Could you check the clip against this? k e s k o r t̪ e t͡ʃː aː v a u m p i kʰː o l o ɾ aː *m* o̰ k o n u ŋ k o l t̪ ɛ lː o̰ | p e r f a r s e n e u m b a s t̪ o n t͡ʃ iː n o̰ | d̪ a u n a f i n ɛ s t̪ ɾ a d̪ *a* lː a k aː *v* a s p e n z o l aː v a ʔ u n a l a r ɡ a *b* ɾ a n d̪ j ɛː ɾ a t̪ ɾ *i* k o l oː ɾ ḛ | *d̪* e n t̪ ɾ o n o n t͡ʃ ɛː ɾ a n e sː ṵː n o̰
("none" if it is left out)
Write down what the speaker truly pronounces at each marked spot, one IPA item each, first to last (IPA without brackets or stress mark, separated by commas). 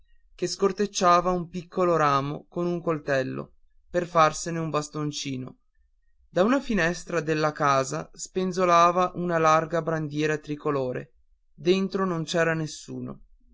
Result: m, e, z, b, i, d̪